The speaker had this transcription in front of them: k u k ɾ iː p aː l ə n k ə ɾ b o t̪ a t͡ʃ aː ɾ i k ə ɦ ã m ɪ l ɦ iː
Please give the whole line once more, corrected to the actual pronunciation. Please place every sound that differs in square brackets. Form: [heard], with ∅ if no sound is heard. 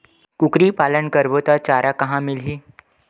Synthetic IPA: k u k ɾ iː p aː l ə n k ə ɾ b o t̪ a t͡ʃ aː ɾ [a] k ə ɦ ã m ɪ l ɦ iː